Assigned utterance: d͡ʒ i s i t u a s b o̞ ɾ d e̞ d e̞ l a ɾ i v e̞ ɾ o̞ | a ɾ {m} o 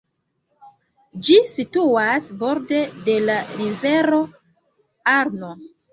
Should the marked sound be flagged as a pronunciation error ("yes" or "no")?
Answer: yes